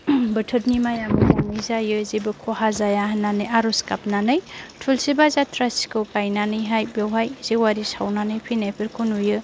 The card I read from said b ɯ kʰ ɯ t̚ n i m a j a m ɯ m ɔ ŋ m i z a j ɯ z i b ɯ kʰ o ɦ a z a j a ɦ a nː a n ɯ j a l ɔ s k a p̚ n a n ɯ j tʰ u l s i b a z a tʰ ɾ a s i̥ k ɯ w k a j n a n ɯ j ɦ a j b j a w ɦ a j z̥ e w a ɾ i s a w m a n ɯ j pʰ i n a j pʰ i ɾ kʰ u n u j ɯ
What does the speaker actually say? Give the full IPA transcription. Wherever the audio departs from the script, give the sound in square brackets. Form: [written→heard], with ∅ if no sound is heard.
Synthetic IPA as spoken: b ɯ [kʰ→tʰ] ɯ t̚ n i m a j a m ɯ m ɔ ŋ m i z a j ɯ z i b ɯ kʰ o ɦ a z a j a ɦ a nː a n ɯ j a [l→ɾ] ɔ s k a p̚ n a n ɯ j tʰ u l s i b a z a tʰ ɾ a s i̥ k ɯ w k a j n a n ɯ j ɦ a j b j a w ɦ a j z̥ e w a ɾ i s a w [m→n] a n ɯ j pʰ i n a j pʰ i ɾ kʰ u n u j ɯ